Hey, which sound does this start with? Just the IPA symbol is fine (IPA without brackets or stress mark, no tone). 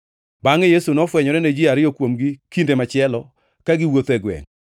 b